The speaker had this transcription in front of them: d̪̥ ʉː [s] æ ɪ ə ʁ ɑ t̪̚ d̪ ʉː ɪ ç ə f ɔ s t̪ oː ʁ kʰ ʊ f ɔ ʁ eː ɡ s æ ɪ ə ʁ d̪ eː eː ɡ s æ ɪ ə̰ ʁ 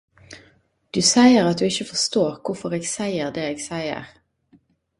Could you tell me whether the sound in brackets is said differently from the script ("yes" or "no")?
no